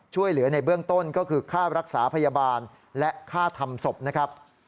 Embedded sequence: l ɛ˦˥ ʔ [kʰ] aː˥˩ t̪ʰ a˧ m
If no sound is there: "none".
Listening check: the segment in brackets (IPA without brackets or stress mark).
kʰ